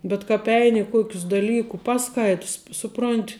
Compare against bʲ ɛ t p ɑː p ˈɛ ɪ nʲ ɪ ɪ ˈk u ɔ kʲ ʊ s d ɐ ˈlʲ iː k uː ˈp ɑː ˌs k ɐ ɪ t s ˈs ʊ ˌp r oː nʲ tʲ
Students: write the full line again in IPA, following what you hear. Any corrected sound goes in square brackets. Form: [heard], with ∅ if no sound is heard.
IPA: bʲ ɛ t [k] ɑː p ˈɛ ɪ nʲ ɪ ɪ ˈk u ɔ kʲ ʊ s d ɐ ˈlʲ iː k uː ˈp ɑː ˌs k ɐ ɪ t s ˈs ʊ ˌp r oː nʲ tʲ